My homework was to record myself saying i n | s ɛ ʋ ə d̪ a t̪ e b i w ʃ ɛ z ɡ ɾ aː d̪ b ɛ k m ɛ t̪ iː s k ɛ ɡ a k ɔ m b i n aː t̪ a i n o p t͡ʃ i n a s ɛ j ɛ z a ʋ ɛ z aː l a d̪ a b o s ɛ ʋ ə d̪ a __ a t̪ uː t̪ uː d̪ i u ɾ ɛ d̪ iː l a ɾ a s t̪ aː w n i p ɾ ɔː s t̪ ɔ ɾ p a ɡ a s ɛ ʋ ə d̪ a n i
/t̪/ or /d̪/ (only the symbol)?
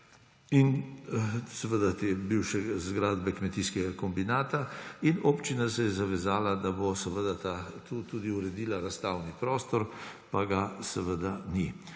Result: t̪